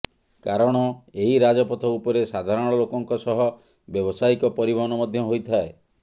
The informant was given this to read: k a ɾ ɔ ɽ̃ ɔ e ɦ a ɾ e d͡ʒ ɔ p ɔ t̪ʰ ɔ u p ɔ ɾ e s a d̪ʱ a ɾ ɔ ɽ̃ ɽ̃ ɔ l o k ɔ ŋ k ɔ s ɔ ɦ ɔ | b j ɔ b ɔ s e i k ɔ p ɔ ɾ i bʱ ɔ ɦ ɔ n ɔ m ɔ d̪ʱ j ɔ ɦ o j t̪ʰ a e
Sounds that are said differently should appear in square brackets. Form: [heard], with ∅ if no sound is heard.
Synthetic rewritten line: k a ɾ ɔ ɽ̃ ɔ e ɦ [i] ɾ [a] d͡ʒ ɔ p ɔ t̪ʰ ɔ u p ɔ ɾ e s a d̪ʱ a ɾ ɔ ɽ̃ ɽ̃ ɔ l o k ɔ ŋ k ɔ s ɔ ɦ ɔ | b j ɔ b ɔ s [a] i k ɔ p ɔ ɾ i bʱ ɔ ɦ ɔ n ɔ m ɔ d̪ʱ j ɔ ɦ o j t̪ʰ a e